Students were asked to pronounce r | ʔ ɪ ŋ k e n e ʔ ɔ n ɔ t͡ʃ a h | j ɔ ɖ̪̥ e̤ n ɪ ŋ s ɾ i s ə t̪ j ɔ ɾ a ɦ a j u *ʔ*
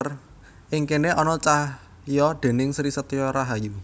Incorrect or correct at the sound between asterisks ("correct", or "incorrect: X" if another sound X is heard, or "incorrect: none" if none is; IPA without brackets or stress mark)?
incorrect: none